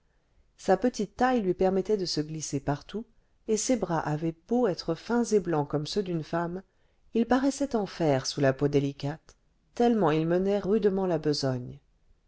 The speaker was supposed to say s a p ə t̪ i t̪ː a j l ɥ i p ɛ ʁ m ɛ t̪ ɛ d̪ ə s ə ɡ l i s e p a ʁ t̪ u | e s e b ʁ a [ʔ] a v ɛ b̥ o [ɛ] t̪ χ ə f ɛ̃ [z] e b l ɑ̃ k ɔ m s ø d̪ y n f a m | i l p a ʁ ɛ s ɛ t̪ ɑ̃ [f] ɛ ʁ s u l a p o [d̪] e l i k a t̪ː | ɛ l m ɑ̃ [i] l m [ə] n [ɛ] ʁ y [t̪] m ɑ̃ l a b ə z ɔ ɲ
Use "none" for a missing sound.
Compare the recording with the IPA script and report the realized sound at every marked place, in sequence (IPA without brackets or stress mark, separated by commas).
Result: ʔ, ɛ, z, f, d̪, i, ə, ɛ, d̪